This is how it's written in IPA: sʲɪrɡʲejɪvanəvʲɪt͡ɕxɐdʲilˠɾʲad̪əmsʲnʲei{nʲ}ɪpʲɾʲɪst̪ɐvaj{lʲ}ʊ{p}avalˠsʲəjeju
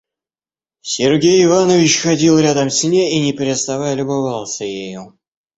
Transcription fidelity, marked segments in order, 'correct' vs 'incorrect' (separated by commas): correct, correct, incorrect